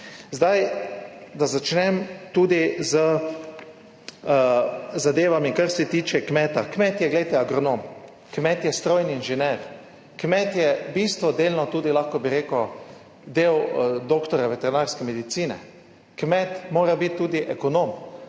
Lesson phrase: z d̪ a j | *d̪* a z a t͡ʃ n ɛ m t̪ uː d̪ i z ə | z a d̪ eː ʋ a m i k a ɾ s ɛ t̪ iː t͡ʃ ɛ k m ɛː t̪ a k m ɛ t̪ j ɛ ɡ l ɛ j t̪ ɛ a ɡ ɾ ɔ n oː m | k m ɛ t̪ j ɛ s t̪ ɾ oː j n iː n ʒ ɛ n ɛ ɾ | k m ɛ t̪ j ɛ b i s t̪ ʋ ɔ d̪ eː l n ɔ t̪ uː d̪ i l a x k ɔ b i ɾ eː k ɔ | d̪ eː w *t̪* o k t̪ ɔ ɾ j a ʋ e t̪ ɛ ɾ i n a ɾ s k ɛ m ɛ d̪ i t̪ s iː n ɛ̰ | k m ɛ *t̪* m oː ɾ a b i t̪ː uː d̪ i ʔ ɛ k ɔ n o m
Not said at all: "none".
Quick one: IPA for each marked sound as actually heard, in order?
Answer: d̪, d̪, t̪

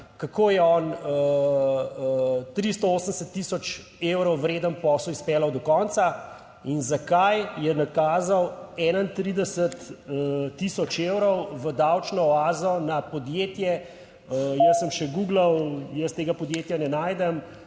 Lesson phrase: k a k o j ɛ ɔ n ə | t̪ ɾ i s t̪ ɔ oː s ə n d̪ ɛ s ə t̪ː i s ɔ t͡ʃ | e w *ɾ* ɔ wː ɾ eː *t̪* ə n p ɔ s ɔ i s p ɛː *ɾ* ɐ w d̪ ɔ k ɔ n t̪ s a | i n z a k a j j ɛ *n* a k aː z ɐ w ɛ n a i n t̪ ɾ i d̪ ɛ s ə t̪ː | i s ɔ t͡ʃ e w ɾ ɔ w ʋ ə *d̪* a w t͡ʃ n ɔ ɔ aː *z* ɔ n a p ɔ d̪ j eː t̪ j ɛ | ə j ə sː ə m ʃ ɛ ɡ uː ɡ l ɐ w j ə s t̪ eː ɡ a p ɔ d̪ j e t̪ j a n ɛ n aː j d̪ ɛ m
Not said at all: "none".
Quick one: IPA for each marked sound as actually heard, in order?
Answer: ɾ, d̪, l, n, d̪, z

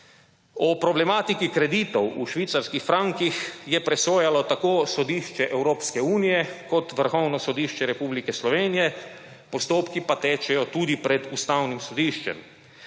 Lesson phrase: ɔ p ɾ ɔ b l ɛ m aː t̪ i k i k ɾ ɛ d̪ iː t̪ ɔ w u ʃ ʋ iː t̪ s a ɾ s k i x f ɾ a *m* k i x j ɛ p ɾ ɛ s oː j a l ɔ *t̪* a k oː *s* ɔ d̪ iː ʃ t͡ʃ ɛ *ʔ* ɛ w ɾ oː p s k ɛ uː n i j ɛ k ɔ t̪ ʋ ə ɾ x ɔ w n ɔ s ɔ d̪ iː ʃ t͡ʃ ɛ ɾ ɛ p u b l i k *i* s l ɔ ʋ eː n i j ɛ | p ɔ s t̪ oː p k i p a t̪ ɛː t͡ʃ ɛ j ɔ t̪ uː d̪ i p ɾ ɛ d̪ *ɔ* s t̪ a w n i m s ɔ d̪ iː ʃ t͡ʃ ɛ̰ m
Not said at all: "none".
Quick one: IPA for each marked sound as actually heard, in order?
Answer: ŋ, t̪, s, ʔ, ɛ, u

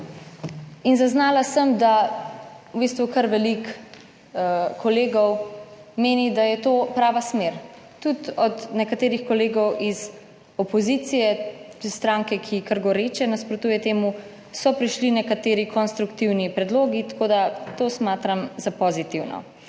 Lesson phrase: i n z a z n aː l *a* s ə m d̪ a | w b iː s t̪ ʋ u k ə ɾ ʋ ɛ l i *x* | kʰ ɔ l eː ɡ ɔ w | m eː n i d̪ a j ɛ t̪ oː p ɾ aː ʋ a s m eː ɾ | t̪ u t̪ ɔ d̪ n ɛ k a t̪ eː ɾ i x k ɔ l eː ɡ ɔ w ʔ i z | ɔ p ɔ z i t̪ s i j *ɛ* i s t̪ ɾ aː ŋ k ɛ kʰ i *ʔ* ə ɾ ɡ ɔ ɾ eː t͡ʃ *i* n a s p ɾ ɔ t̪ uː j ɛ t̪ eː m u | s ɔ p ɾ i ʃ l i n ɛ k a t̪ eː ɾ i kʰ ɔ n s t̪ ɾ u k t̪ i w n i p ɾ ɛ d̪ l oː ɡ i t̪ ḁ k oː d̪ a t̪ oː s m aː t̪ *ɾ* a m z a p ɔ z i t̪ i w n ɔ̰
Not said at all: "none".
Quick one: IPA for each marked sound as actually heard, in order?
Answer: a, k, ɛ, k, ɛ, ɾ

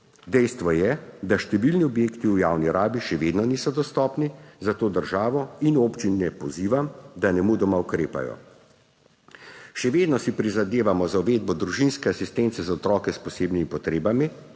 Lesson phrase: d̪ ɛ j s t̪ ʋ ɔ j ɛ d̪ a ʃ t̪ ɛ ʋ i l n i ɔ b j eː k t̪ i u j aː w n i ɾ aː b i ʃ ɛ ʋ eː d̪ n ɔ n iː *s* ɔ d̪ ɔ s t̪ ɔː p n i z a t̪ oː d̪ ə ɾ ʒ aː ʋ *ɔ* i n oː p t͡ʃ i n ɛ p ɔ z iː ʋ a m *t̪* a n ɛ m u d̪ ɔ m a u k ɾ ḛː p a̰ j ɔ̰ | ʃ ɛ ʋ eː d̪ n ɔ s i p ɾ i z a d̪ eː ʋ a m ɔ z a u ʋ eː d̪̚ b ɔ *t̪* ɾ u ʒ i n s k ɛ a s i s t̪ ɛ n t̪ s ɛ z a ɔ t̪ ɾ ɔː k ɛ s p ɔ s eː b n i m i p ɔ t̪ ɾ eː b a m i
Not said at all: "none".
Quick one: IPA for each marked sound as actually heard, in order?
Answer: s, ɔ, d̪, d̪

